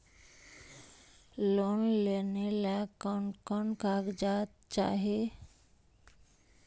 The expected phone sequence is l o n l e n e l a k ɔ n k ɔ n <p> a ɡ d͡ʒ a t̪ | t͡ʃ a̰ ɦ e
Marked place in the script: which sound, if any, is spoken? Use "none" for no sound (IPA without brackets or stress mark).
k